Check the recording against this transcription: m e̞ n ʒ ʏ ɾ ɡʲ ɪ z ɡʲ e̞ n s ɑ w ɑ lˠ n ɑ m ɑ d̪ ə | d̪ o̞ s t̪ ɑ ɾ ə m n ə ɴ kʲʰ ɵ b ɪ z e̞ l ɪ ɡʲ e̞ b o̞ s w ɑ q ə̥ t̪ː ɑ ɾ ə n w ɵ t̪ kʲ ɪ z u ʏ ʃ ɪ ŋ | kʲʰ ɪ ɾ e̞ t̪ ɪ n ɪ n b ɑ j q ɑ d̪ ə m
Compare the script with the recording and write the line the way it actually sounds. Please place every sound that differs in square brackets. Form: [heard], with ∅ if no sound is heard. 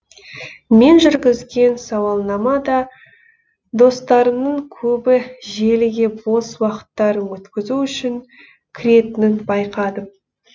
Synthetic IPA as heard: m e̞ n ʒ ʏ ɾ ɡʲ ɪ z ɡʲ e̞ n s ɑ w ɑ lˠ n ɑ m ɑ d̪ [ɑ] | d̪ o̞ s t̪ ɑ ɾ ə m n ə ɴ kʲʰ ɵ b ɪ [ʒ] e̞ l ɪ ɡʲ e̞ b o̞ s w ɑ q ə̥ t̪ː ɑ ɾ ə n w ɵ t̪ kʲ ɪ z u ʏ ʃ ɪ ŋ | kʲʰ ɪ ɾ e̞ t̪ ɪ n ɪ n b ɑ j q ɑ d̪ ə m

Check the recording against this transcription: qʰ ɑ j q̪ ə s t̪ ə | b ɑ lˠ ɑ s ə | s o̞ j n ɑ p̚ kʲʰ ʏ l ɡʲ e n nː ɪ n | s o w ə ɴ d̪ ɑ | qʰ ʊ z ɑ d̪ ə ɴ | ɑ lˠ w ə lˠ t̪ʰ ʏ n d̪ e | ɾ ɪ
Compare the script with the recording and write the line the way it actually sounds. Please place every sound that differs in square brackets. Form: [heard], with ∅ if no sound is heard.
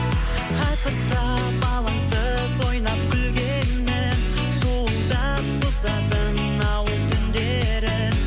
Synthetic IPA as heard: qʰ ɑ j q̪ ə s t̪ [ɑ] | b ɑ lˠ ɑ s ə | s o̞ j n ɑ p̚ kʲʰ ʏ l ɡʲ e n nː ɪ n | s o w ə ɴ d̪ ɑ | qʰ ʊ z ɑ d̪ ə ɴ | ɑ [∅] w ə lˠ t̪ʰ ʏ n d̪ e | ɾ ɪ

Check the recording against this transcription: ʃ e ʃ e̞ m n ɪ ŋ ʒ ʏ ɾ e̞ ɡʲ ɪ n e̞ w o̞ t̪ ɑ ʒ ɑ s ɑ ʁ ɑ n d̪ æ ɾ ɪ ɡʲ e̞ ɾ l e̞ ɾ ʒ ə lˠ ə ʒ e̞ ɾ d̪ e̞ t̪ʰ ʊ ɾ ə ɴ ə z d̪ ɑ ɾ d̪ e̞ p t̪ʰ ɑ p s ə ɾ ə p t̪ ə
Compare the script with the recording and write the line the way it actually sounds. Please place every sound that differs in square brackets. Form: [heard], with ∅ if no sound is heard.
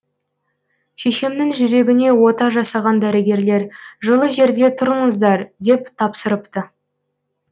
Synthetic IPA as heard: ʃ e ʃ e̞ m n ɪ ŋ ʒ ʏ ɾ e̞ ɡʲ ɪ n e̞ w o̞ t̪ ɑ ʒ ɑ s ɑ ʁ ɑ n d̪ æ ɾ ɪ ɡʲ e̞ ɾ l e̞ ɾ ʒ ə lˠ ə ʒ e̞ ɾ d̪ e̞ t̪ʰ ʊ ɾ ə ɴ ə z d̪ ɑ ɾ d̪ e̞ p t̪ʰ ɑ p s ə ɾ ə p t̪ ə

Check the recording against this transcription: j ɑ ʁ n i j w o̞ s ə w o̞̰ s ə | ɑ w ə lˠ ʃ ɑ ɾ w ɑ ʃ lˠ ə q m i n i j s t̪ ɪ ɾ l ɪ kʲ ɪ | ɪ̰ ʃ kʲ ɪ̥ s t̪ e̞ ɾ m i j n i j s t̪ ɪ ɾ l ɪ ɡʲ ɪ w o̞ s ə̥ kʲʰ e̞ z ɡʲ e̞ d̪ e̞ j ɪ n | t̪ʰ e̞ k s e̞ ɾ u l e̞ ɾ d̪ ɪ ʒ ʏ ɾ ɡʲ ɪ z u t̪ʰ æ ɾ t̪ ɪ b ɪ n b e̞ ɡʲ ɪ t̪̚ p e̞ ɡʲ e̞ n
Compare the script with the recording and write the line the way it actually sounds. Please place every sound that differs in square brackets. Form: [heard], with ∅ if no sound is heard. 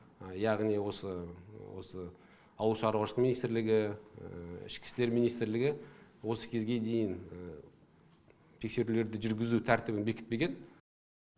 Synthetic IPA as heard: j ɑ ʁ n i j w o̞ s ə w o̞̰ s ə | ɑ w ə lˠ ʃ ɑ ɾ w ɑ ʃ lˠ ə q m i n i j s t̪ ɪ ɾ l ɪ [ɡʲ] ɪ | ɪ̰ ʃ kʲ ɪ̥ s t̪ e̞ ɾ m i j n i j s t̪ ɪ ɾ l ɪ ɡʲ ɪ w o̞ s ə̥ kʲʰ e̞ z ɡʲ e̞ d̪ e̞ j ɪ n | t̪ʰ e̞ k s e̞ ɾ u l e̞ ɾ d̪ ɪ ʒ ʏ ɾ ɡʲ ɪ z u t̪ʰ æ ɾ t̪ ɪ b ɪ n b e̞ [kʲ] ɪ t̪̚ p e̞ ɡʲ e̞ n

